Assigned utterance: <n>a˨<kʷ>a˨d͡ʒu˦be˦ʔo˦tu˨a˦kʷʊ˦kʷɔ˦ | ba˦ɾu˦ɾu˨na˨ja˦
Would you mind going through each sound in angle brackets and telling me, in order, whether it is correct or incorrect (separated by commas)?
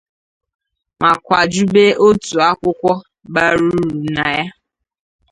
incorrect, correct